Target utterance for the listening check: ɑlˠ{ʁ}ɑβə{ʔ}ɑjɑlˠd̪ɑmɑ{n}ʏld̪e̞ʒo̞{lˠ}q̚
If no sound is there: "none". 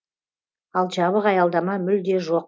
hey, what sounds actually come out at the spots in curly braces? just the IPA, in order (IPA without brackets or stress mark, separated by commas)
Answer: ʒ, q, m, none